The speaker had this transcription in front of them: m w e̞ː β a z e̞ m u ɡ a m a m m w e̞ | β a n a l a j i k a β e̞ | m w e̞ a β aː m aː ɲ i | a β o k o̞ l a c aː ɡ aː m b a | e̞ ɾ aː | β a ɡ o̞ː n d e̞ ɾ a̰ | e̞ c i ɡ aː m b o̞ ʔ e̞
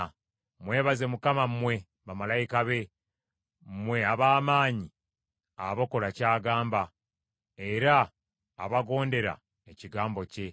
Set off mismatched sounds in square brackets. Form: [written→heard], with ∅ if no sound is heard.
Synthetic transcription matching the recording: m w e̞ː β a z e̞ m u [ɡ→k] a m a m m w e̞ | β a [n→m] a l a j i k a β e̞ | m w e̞ a β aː m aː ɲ i | a β o k o̞ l a c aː ɡ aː m b a | e̞ ɾ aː | β a ɡ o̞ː n d e̞ ɾ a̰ | e̞ c i ɡ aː m b o̞ [ʔ→c] e̞